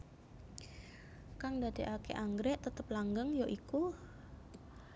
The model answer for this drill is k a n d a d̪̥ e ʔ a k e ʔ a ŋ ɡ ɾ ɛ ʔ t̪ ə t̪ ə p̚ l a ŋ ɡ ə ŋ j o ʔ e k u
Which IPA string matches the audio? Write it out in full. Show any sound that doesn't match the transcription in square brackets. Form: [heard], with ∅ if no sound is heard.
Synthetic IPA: k a [ŋ] d a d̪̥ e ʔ a k e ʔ a ŋ ɡ ɾ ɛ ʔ t̪ ə t̪ ə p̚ l a ŋ ɡ ə ŋ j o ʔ [i] k u